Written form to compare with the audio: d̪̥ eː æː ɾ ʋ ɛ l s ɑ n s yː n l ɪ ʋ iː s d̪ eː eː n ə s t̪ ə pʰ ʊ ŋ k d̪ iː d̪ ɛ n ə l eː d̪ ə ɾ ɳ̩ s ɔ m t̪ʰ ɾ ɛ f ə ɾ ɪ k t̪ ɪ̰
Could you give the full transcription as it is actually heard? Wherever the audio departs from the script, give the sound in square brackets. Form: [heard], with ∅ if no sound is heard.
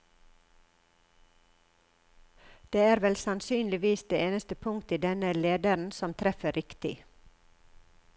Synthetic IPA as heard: d̪̥ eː æː ɾ ʋ ɛ l s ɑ n s yː n l ɪ ʋ iː s d̪ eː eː n ə s t̪ ə pʰ ʊ ŋ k [t̪] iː d̪ ɛ n ə l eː d̪ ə ɾ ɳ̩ s ɔ m t̪ʰ ɾ ɛ f ə ɾ ɪ k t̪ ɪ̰